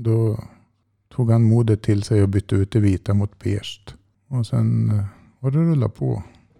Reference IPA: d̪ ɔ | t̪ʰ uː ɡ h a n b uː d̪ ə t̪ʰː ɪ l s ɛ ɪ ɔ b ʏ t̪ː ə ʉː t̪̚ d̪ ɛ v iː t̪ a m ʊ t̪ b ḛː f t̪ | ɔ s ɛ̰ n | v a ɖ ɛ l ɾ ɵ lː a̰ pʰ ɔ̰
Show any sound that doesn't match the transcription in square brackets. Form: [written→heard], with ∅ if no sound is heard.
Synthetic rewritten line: d̪ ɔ | t̪ʰ uː ɡ h a n [b→m] uː d̪ ə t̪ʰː ɪ l s ɛ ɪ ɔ b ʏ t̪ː ə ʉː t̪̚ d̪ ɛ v iː t̪ a m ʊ t̪ b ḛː [f→ʂ] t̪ | ɔ s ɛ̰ n | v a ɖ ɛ [l→∅] ɾ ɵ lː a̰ pʰ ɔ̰